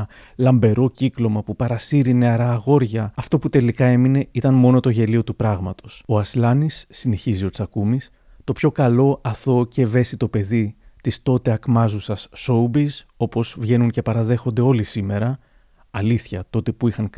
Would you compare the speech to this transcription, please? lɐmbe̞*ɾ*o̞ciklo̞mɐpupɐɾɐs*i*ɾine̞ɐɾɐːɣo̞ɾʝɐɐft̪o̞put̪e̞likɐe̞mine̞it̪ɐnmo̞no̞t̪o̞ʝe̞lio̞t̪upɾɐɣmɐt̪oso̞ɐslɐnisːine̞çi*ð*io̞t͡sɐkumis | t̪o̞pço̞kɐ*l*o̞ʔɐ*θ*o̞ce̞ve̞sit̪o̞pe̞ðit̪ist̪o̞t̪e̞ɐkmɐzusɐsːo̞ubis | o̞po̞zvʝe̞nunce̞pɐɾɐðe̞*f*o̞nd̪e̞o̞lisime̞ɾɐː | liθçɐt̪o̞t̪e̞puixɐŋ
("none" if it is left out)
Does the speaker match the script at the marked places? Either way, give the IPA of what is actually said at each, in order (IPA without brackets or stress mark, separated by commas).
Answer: ɾ, i, z, l, θ, x